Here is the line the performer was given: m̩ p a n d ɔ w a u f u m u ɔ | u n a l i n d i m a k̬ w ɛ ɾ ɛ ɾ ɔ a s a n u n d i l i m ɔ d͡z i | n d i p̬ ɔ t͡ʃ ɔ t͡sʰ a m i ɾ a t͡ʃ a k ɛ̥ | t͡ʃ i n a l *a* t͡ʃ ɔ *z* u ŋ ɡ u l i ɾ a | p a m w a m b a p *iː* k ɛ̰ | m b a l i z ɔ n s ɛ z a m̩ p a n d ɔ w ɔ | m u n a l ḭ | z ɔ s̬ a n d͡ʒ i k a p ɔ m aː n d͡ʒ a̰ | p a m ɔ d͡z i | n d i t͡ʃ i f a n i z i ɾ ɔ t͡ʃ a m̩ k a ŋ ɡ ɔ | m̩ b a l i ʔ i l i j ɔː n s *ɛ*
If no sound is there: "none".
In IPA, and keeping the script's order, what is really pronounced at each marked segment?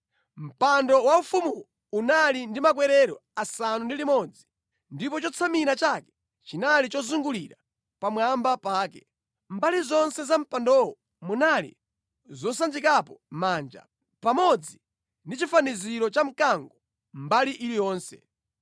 i, z, aː, ɛ

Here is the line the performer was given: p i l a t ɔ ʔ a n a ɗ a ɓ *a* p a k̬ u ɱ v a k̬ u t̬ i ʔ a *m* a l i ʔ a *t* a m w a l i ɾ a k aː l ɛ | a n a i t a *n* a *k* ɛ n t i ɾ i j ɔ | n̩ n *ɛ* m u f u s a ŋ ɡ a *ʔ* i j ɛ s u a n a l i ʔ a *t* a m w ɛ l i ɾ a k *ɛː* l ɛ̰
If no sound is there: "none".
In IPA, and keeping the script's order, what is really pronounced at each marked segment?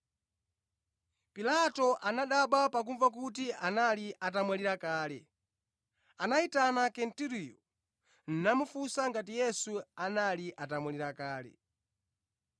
a, n, t, n, k, a, t, t, aː

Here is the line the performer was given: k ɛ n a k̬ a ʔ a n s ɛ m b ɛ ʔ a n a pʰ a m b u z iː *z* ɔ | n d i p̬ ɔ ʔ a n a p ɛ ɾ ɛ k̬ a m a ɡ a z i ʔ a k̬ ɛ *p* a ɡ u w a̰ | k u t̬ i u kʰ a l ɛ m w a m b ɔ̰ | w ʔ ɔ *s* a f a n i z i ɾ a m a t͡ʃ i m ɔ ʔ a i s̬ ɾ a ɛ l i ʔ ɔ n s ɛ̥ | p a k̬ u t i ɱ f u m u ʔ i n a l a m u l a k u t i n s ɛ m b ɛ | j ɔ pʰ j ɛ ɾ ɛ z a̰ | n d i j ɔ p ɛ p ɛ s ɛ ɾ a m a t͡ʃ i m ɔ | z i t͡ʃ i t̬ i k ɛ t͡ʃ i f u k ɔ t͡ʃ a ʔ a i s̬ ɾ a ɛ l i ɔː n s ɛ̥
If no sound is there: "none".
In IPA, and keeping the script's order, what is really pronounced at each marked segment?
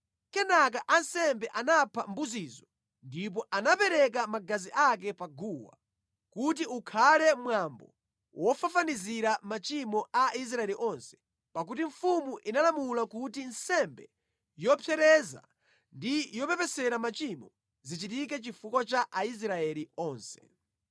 z, p, f

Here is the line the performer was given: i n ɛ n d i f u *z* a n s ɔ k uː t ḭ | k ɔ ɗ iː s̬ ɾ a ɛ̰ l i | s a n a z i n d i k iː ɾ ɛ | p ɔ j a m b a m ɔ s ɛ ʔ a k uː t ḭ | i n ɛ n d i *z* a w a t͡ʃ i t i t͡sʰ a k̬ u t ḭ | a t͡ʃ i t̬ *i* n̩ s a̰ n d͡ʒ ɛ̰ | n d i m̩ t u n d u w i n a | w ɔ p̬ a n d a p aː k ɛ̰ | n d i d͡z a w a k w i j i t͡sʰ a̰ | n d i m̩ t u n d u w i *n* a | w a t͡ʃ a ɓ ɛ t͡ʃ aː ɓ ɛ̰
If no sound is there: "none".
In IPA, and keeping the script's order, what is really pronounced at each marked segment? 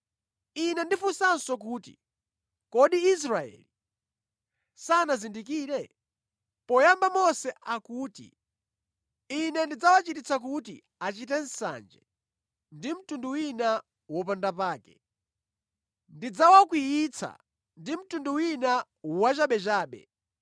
s, d͡z, ɛ, n

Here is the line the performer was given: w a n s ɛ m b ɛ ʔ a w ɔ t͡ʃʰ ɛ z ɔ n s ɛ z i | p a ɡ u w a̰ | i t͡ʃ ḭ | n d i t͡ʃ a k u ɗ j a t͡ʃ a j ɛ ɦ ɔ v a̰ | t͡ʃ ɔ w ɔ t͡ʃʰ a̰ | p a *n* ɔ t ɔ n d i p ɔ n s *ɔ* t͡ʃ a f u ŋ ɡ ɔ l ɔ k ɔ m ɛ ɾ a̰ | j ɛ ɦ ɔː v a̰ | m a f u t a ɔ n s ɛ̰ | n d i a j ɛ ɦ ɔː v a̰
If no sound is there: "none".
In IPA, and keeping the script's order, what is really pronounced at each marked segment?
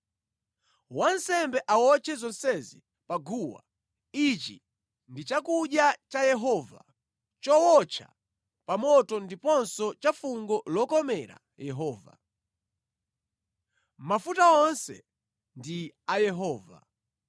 m, ɔ

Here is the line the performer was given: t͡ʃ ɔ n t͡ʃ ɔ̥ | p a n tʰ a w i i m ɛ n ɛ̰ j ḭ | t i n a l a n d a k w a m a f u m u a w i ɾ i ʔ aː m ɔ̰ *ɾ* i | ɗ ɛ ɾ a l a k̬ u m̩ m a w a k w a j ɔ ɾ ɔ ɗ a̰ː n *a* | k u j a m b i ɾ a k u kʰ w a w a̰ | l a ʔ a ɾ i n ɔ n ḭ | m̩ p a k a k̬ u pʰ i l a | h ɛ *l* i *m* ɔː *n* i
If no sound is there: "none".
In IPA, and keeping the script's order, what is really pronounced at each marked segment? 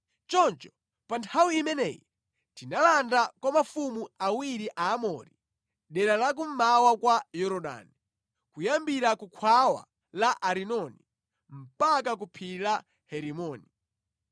ɾ, i, ɾ, m, n

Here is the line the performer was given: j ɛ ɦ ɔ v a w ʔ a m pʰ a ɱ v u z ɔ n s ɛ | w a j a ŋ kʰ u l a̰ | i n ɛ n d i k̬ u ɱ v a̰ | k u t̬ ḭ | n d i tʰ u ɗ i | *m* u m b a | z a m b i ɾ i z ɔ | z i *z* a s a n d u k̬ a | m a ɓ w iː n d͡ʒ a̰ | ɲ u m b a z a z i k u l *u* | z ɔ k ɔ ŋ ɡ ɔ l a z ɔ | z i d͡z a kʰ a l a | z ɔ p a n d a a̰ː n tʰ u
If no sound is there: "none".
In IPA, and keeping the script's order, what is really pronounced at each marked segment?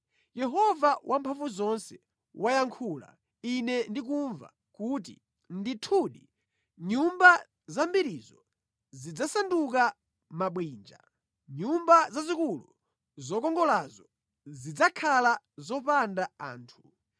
ɲ, d͡z, u

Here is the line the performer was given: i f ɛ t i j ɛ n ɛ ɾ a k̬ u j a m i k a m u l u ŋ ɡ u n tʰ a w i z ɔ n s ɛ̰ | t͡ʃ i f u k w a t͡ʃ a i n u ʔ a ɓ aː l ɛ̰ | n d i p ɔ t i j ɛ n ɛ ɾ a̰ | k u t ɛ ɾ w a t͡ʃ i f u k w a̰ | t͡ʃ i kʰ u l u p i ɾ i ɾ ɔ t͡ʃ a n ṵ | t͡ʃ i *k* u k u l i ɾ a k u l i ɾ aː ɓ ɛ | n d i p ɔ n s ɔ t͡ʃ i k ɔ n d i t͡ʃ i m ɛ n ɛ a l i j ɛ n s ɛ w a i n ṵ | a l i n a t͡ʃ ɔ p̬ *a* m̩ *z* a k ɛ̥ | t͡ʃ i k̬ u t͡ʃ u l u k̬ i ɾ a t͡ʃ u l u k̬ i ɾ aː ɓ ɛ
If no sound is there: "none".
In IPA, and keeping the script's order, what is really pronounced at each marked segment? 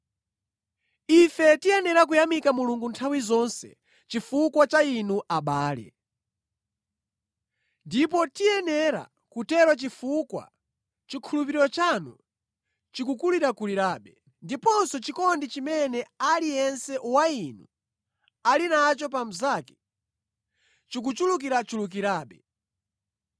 k, a, z

